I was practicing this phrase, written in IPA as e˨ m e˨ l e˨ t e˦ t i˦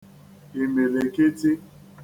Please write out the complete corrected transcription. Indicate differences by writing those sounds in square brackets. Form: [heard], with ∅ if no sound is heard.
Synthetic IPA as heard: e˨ m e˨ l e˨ [k] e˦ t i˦